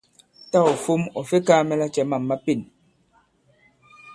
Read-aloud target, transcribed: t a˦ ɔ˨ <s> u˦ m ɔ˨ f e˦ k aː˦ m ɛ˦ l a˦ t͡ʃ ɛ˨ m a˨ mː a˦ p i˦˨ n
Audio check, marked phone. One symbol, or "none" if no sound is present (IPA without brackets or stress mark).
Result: f